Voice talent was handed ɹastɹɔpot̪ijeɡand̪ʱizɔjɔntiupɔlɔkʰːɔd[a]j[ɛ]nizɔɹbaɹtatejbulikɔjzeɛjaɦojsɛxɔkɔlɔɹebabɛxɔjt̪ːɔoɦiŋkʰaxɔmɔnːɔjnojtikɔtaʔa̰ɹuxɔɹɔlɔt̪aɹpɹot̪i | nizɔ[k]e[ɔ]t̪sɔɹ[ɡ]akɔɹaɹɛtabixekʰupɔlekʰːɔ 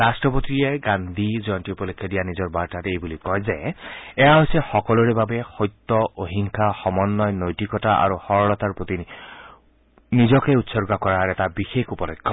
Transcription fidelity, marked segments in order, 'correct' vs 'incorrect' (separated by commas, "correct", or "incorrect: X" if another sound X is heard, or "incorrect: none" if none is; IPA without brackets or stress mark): incorrect: i, incorrect: a, correct, incorrect: u, correct